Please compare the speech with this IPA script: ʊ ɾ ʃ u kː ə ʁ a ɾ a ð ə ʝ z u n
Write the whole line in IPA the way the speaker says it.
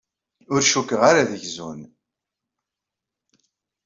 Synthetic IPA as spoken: ʊ ɾ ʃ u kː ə ʁ a ɾ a ð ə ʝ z u n